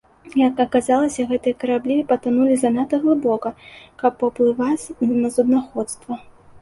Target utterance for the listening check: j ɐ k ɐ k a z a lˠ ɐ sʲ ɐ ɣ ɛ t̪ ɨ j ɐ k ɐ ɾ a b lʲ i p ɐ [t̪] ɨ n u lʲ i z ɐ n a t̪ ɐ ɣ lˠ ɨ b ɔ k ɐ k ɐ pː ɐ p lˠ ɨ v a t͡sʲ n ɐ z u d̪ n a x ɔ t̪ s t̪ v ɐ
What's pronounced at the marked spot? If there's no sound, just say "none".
t̪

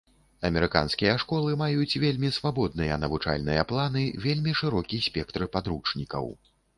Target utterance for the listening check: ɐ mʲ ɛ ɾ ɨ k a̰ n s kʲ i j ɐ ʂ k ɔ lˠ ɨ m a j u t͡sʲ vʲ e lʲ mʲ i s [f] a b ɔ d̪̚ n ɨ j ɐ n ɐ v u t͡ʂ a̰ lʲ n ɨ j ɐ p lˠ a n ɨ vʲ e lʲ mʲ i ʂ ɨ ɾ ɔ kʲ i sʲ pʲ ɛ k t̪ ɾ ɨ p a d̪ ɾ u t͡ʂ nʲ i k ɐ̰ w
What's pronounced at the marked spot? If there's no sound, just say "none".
v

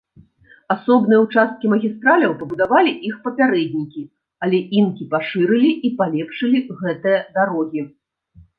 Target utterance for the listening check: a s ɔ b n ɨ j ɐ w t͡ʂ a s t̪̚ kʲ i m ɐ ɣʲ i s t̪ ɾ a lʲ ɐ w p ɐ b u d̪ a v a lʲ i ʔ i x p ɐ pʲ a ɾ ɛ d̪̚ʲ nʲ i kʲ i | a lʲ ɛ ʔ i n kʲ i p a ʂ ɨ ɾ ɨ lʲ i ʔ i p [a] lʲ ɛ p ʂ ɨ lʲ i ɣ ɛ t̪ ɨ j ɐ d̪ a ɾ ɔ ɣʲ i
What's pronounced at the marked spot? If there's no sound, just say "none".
a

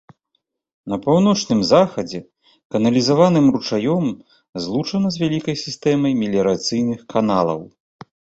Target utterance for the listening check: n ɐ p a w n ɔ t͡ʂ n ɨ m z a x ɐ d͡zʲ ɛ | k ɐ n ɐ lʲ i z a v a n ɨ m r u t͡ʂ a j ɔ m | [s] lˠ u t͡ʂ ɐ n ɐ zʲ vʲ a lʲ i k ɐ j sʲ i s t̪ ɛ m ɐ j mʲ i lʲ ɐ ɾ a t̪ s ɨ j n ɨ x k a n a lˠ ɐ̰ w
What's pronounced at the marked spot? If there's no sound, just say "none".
z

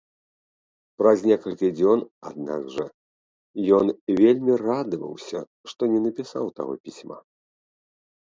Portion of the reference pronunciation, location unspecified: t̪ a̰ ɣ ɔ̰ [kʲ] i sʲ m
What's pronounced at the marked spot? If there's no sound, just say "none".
pʲ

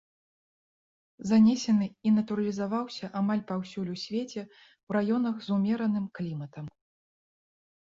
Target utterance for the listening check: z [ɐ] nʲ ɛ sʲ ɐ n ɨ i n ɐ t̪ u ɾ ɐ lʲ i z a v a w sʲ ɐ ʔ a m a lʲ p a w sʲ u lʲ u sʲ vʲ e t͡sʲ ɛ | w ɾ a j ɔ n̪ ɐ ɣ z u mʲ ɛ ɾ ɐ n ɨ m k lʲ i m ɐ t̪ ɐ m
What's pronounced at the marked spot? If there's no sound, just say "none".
a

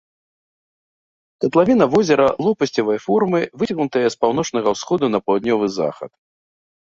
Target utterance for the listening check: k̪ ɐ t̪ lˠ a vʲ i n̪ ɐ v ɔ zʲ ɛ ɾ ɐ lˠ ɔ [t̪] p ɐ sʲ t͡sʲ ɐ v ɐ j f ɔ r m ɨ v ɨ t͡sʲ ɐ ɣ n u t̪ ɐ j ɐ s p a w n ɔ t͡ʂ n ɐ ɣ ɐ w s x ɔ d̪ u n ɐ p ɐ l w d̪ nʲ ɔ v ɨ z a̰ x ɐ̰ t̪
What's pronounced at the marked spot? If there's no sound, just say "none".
none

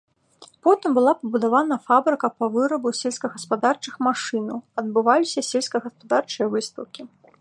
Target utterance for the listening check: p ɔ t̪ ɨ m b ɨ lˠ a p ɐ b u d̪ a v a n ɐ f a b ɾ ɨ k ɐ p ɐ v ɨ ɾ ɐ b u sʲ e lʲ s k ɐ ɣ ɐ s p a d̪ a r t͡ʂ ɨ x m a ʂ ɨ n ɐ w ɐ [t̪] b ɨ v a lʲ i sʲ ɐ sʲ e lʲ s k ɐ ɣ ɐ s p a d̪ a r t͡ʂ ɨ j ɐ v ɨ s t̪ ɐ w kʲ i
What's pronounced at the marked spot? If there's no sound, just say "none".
d̪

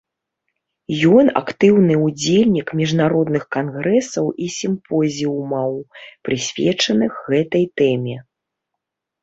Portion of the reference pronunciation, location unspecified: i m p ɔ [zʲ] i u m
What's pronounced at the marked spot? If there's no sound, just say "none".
zʲ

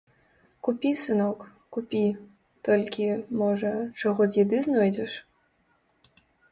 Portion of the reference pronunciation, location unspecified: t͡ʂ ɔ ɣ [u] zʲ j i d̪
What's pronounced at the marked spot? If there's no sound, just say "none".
ɔ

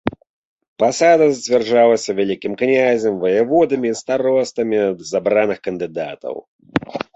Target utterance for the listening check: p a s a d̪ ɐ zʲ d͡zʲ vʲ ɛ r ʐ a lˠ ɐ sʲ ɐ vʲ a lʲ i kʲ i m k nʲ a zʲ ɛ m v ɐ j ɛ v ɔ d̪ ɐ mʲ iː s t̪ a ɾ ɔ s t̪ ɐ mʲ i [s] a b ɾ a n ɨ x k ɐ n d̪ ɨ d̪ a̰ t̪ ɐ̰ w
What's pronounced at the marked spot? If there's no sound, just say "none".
z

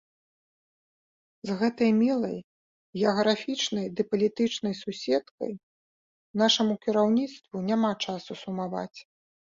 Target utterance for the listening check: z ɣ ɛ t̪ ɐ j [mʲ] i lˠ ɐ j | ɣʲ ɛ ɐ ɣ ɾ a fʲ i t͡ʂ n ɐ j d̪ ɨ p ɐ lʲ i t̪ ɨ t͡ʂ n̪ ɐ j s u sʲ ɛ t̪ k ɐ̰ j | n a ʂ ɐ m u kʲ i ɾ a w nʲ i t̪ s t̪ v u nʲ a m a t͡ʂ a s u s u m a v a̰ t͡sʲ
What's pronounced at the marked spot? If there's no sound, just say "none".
mʲ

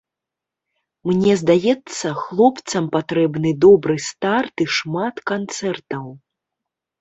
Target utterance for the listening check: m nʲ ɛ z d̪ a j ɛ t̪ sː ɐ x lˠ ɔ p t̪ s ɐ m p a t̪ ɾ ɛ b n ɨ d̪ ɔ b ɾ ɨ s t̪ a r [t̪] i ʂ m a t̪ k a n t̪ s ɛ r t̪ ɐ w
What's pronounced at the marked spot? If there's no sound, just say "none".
t̪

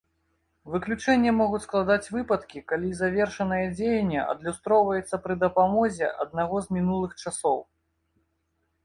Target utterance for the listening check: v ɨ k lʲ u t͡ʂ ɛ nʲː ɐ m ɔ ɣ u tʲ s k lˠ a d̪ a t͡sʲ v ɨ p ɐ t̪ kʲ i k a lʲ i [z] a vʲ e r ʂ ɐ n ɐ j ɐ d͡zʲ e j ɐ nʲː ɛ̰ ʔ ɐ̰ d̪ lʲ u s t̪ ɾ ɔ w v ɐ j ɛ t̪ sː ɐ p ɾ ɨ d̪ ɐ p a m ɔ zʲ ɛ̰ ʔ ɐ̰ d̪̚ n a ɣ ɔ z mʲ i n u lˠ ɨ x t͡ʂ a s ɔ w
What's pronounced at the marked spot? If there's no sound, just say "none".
z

